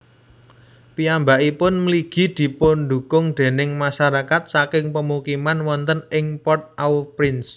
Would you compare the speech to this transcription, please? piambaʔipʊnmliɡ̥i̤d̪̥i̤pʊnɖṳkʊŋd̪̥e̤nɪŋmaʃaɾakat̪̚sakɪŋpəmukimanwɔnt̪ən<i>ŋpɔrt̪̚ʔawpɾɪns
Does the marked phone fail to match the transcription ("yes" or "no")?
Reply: yes